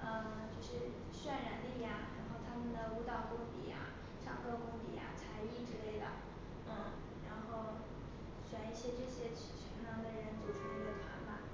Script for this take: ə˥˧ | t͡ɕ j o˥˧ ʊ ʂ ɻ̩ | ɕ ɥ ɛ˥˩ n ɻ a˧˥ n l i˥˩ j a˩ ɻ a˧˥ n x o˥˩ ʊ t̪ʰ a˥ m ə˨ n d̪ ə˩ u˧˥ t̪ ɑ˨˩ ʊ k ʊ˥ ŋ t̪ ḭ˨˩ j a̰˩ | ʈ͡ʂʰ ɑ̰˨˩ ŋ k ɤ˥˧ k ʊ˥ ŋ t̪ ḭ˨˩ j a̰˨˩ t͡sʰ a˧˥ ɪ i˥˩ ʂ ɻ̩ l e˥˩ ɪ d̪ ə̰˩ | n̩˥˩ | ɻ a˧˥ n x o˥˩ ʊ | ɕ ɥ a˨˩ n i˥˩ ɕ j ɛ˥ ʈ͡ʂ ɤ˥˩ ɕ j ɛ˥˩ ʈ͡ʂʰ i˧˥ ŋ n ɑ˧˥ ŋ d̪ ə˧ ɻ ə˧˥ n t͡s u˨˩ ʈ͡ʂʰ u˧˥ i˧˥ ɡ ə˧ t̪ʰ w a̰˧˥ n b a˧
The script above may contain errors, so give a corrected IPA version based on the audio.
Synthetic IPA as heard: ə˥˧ | t͡ɕ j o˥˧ ʊ ʂ ɻ̩ | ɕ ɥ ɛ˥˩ n ɻ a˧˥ n l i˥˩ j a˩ ɻ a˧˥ n x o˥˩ ʊ t̪ʰ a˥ m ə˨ n d̪ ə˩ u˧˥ t̪ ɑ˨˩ ʊ k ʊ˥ ŋ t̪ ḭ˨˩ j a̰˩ | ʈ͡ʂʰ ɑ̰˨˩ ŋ k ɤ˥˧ k ʊ˥ ŋ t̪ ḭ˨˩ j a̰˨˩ t͡sʰ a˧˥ ɪ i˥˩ ʈ͡ʂ ɻ̩ l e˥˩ ɪ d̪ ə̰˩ | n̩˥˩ | ɻ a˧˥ n x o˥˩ ʊ | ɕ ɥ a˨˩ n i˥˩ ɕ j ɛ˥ ʈ͡ʂ ɤ˥˩ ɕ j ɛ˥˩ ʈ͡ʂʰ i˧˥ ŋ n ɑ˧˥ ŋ d̪ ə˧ ɻ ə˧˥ n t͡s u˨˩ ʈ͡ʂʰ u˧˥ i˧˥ ɡ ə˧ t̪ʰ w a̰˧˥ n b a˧